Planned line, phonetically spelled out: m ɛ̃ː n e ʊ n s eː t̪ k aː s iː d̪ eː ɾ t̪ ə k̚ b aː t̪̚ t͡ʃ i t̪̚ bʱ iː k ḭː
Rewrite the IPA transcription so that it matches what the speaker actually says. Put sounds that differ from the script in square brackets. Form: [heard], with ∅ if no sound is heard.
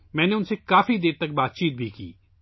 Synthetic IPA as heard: m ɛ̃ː n e ʊ n s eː [∅] k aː [f] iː d̪ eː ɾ t̪ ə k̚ b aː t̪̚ t͡ʃ [iː] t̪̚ bʱ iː k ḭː